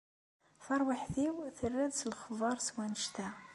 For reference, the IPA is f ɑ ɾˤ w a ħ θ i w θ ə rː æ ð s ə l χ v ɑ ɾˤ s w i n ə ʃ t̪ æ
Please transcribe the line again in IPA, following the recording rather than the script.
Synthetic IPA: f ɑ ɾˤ w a ħ θ i w θ ə rː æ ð s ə l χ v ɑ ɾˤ s w æ n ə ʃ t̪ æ